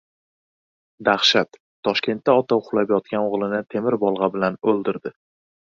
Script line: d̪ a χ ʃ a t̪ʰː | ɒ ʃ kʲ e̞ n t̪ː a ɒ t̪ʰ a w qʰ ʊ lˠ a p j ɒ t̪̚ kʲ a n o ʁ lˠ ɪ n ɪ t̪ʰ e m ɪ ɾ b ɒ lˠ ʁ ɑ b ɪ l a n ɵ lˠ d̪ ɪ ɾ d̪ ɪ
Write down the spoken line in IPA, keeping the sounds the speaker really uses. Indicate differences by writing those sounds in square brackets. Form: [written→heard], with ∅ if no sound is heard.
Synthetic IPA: d̪ a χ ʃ a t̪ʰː | ɒ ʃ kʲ e̞ n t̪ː a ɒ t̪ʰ a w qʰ ʊ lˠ a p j ɒ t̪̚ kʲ a n o ʁ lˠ ɪ n ɪ t̪ʰ e m ɪ ɾ b ɒ lˠ ʁ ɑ b ɪ l a n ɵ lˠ d̪ ɪ ɾ d̪ ɪ